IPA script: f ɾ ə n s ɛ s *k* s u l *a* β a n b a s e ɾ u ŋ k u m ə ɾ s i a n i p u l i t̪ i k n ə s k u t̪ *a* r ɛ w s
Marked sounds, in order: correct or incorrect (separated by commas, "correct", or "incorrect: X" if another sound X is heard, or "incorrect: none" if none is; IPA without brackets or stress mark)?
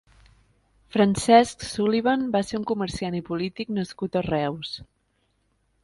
correct, incorrect: i, incorrect: ə